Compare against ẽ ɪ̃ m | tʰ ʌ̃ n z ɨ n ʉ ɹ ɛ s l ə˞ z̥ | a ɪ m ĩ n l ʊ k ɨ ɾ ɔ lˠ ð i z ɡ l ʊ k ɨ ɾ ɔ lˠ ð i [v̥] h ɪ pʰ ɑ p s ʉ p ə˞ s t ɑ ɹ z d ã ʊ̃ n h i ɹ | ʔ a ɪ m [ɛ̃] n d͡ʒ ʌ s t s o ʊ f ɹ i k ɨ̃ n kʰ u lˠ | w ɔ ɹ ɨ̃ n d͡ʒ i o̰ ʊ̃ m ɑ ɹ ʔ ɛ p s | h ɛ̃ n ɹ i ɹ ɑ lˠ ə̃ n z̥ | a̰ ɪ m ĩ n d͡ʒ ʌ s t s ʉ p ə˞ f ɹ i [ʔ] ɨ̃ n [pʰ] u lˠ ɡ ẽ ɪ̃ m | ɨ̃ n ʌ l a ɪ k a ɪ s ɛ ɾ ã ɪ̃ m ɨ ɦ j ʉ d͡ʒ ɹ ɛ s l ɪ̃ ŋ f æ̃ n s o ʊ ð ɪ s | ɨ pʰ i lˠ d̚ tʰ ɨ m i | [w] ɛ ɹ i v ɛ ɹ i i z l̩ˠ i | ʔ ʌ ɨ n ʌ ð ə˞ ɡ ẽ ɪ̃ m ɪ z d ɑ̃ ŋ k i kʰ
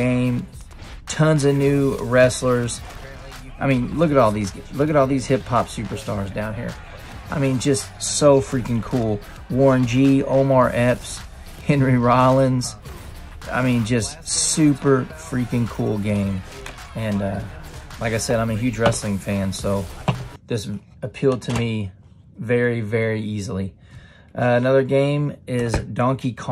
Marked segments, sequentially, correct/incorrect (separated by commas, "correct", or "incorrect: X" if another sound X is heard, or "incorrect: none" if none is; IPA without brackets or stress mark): incorrect: z̥, incorrect: ĩ, incorrect: k, incorrect: kʰ, incorrect: v